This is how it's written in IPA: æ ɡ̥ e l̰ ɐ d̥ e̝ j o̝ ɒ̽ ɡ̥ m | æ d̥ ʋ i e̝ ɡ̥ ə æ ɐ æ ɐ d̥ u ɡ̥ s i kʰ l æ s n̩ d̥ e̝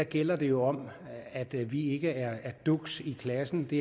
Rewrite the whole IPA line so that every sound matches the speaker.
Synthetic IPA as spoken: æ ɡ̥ e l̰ ɐ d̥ e̝ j o̝ ɒ̽ m | æ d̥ ʋ i e̝ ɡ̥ ə æ ɐ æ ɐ d̥ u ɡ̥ s i kʰ l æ s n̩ d̥ e̝